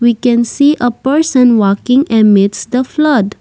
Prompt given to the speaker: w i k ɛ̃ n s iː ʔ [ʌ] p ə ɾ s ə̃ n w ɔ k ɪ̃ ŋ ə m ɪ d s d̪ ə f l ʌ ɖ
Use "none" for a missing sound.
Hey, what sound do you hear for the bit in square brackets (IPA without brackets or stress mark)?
ə